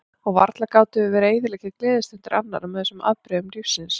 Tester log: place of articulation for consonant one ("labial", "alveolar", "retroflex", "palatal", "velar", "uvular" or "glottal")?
velar